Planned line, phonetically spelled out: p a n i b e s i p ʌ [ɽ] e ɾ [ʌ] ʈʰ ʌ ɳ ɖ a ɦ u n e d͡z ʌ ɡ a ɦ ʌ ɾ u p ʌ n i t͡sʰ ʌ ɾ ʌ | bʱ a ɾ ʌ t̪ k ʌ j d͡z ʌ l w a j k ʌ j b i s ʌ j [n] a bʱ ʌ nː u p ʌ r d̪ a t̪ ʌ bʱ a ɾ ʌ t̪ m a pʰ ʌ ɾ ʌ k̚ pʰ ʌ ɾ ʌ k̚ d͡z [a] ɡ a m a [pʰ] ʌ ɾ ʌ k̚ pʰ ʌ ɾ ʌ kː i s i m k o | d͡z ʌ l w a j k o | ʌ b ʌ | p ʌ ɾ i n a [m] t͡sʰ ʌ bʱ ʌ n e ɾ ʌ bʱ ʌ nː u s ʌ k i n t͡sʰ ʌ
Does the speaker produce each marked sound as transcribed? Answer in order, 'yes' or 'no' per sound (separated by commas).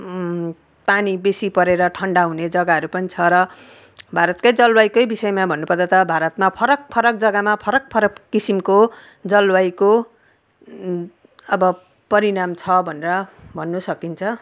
no, yes, no, no, yes, yes